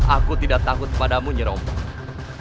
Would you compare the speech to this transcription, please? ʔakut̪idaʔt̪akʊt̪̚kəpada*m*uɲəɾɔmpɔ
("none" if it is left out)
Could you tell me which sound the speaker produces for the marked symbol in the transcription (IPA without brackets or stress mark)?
m